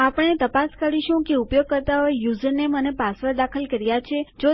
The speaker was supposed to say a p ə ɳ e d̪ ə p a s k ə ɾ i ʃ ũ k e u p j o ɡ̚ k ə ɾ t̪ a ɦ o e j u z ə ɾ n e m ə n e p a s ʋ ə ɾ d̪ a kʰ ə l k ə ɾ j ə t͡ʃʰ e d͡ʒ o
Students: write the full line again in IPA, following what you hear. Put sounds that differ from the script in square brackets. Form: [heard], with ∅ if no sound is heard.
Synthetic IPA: a p ə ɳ e [t̪] ə p a s k ə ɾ i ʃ ũ k e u p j o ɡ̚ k ə ɾ t̪ a ɦ o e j u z ə ɾ n e m ə n e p a s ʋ ə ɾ d̪ a kʰ ə l k ə ɾ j [a] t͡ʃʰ e d͡ʒ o

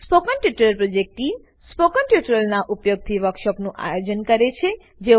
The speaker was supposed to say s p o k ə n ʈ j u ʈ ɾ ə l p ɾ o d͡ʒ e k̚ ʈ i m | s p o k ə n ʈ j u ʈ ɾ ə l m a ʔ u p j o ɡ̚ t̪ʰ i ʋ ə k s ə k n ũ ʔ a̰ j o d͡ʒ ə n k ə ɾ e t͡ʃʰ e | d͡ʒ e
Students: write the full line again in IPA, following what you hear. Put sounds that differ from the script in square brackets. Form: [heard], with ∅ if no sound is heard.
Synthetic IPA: s p o k ə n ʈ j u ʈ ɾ ə l p ɾ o d͡ʒ e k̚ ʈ i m | s p o k ə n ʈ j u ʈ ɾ ə l [n] a ʔ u p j o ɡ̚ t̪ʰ i ʋ ə k [ʃ] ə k n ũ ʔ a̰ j o d͡ʒ ə n k ə ɾ e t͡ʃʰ e | d͡ʒ e

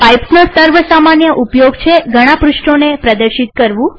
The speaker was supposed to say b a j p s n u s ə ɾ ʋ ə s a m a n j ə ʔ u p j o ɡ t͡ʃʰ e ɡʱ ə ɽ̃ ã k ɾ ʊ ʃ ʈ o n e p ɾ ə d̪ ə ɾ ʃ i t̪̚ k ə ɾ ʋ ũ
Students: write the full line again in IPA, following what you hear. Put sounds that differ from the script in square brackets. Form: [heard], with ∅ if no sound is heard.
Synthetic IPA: [p] a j p s n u s ə ɾ ʋ ə s a m a n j ə ʔ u p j o ɡ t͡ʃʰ e ɡʱ ə ɽ̃ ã [p] ɾ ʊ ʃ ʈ o n e p ɾ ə d̪ ə ɾ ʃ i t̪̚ k ə ɾ ʋ ũ

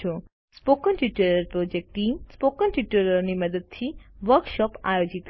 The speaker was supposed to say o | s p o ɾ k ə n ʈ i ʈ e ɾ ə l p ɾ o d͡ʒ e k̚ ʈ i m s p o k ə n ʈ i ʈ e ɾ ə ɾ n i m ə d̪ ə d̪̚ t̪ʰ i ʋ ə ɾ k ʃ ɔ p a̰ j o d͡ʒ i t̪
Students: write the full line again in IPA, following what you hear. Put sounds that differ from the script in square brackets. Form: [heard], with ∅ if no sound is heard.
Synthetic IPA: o | s p o [∅] k ə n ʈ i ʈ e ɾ ə [ɾ] p ɾ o d͡ʒ e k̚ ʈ i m s p o k ə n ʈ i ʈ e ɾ ə ɾ n i m ə d̪ ə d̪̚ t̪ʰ i ʋ ə ɾ k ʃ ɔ p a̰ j o d͡ʒ i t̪

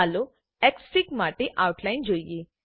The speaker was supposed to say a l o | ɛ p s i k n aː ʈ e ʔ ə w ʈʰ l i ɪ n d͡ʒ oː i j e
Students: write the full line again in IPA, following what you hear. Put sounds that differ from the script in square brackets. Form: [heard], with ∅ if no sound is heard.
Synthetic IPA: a l o | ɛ [k] s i k [m] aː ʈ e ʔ [a] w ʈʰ l [a] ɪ n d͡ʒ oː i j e

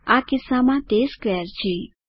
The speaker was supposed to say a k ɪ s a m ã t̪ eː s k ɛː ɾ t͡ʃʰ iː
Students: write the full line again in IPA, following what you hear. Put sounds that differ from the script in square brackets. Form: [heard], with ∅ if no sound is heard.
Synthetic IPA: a k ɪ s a m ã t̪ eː s k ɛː ɾ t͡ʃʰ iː

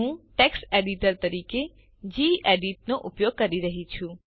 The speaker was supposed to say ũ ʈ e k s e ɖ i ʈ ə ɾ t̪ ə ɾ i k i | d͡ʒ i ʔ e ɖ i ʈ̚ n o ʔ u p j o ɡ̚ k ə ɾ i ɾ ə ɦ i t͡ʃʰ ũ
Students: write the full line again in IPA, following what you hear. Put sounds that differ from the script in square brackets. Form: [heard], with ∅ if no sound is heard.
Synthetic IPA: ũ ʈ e k s e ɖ i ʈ ə ɾ t̪ ə ɾ i k [e] | d͡ʒ i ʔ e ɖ i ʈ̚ n o ʔ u p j o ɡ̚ k ə ɾ i ɾ ə ɦ i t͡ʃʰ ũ

